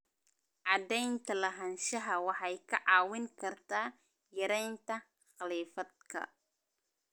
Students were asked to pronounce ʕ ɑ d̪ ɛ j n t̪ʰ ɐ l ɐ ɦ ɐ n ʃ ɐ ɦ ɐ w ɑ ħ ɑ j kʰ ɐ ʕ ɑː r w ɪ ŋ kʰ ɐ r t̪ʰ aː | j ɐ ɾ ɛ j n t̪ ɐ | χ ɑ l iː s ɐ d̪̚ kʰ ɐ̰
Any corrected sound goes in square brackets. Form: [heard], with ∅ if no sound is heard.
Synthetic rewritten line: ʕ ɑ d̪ ɛ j n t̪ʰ ɐ l ɐ ɦ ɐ n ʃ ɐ ɦ ɐ w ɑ ħ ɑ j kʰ ɐ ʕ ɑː [∅] w ɪ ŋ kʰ ɐ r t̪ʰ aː | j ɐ ɾ ɛ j n t̪ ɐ | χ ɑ l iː [f] ɐ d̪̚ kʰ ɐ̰

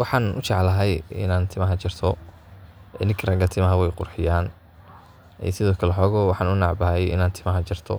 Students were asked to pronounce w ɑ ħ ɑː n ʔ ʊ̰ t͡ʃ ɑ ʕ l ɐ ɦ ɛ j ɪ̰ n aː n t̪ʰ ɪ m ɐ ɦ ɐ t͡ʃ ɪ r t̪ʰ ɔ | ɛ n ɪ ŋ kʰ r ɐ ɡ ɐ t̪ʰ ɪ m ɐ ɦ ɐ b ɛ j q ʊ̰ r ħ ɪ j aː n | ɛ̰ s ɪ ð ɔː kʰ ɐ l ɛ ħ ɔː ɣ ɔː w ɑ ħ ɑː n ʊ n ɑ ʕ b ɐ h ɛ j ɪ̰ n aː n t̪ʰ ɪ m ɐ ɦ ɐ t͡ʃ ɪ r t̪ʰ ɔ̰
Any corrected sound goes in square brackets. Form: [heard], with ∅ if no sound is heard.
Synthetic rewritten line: w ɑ ħ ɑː n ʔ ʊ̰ t͡ʃ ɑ ʕ l ɐ ɦ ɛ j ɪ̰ n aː n t̪ʰ ɪ m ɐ ɦ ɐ t͡ʃ ɪ r t̪ʰ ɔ | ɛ n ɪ ŋ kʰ r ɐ ɡ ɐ t̪ʰ ɪ m ɐ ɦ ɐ [w] ɛ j q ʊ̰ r ħ ɪ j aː n | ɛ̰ s ɪ ð ɔː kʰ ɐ l ɛ ħ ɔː ɣ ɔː w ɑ ħ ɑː n ʊ n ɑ ʕ b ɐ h ɛ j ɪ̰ n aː n t̪ʰ ɪ m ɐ ɦ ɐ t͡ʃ ɪ r t̪ʰ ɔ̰

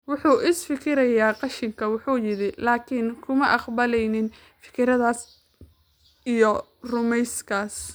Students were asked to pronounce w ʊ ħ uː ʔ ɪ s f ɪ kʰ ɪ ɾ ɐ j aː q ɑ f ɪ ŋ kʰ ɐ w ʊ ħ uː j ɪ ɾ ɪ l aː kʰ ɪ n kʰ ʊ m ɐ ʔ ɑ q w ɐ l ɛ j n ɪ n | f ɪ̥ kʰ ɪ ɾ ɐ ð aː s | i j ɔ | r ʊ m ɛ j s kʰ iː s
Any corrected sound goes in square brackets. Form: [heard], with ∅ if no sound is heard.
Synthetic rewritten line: w ʊ ħ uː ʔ ɪ s f ɪ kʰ ɪ ɾ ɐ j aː q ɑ [ʃ] ɪ ŋ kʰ ɐ w ʊ ħ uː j ɪ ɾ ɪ l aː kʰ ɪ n kʰ ʊ m ɐ ʔ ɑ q [b] ɐ l ɛ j n ɪ n | f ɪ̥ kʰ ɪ ɾ ɐ ð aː s | i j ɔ | r ʊ m ɛ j s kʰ [aː] s

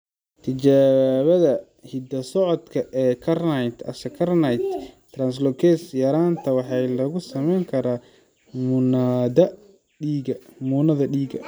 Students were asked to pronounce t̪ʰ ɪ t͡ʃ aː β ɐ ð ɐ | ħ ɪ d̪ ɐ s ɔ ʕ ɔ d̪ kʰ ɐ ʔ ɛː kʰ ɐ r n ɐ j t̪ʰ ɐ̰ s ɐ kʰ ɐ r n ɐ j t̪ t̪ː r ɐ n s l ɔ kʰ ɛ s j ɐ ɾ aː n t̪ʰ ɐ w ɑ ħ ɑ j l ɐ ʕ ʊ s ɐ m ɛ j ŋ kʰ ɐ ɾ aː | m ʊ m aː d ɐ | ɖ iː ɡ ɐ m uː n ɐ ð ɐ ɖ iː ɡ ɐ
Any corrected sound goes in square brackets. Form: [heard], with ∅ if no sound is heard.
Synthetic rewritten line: t̪ʰ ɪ t͡ʃ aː β ɐ ð ɐ | [h] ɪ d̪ ɐ s ɔ ʕ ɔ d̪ kʰ ɐ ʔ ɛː kʰ ɐ r n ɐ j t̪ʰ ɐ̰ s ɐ kʰ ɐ r n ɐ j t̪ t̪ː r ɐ n s l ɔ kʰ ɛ s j ɐ ɾ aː n t̪ʰ ɐ w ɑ ħ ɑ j l ɐ [ɣ] ʊ s ɐ m ɛ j ŋ kʰ ɐ ɾ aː | m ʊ [n] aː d ɐ | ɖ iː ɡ ɐ m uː n ɐ ð ɐ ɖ iː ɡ ɐ

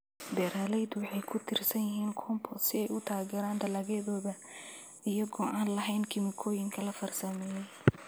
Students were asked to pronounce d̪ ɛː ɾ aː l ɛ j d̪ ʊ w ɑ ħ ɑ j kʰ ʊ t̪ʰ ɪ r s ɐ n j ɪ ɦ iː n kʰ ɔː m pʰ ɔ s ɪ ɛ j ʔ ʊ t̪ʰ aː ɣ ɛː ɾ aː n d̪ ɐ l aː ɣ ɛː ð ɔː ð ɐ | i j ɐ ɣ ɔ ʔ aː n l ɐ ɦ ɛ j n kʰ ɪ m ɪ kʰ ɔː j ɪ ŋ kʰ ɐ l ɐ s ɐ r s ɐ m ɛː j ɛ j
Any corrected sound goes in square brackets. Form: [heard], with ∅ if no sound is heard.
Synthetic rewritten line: d̪ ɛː ɾ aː l ɛ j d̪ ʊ w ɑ ħ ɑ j kʰ ʊ t̪ʰ ɪ r s ɐ n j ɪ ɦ iː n kʰ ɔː m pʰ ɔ s ɪ ɛ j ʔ ʊ t̪ʰ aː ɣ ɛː ɾ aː n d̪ ɐ l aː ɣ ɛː ð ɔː ð ɐ | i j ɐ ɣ ɔ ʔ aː n l ɐ ɦ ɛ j n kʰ ɪ m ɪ kʰ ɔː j ɪ ŋ kʰ ɐ l ɐ [f] ɐ r s ɐ m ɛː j ɛ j

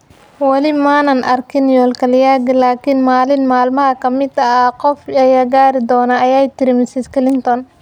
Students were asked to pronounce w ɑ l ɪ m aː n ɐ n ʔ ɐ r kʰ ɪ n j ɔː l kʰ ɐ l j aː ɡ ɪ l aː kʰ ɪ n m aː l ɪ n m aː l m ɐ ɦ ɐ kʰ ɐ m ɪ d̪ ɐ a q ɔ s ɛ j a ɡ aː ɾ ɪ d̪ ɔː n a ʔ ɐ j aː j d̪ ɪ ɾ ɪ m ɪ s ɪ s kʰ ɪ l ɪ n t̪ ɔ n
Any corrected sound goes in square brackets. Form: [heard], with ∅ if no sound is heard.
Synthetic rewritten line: w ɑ l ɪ m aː n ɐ n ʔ ɐ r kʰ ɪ n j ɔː l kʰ ɐ l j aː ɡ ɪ l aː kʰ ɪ n m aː l ɪ n m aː l m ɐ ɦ ɐ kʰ ɐ m ɪ d̪ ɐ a q ɔ [f] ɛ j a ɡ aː ɾ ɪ d̪ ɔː n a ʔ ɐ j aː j [t̪] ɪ ɾ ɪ m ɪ s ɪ s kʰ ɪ l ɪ n t̪ ɔ n

